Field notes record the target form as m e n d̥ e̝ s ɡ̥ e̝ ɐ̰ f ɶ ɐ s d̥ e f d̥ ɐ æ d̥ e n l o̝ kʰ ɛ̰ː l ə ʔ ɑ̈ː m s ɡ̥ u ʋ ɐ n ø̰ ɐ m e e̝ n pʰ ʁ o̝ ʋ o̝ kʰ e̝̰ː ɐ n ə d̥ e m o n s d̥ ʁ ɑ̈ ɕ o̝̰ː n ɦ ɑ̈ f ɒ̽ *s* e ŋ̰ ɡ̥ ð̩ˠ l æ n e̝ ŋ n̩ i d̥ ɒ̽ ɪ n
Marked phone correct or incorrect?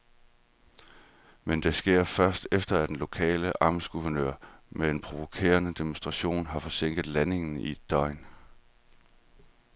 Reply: correct